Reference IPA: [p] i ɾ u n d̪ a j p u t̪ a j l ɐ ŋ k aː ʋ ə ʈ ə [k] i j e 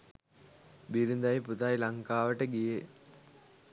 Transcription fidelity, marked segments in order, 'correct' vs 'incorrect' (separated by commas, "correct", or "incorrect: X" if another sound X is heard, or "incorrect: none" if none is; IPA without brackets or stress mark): incorrect: b, incorrect: ɡ